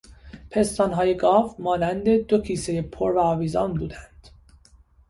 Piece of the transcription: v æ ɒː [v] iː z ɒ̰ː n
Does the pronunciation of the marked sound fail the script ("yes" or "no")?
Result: no